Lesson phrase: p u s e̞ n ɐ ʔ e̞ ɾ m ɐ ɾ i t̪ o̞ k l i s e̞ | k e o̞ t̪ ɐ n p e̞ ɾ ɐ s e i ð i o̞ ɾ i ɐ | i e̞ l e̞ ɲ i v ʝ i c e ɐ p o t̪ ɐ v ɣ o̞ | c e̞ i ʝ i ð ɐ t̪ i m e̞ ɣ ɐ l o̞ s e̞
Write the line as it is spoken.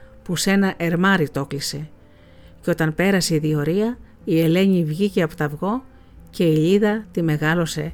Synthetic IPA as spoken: p u s e̞ n ɐ ʔ e̞ ɾ m ɐ ɾ i t̪ o̞ k l i s e̞ | c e o̞ t̪ ɐ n p e̞ ɾ ɐ s e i ð i o̞ ɾ i ɐ | i e̞ l e̞ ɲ i v ʝ i c e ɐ p o t̪ ɐ v ɣ o̞ | c e̞ i ʎ i ð ɐ t̪ i m e̞ ɣ ɐ l o̞ s e̞